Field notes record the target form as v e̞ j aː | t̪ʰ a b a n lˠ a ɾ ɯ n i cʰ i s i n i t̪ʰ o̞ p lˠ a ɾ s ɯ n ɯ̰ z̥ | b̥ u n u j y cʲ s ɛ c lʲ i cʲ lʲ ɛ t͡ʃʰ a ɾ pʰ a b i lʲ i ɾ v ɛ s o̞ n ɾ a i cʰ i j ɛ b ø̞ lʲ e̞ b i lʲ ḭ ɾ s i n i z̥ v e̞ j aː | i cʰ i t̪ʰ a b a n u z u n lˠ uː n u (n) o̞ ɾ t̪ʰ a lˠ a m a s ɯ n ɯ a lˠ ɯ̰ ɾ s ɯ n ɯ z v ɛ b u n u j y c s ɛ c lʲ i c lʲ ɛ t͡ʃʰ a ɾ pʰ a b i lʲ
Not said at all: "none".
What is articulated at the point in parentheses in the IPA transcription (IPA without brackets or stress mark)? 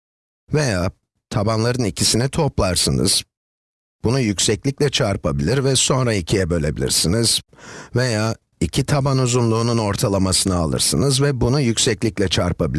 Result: n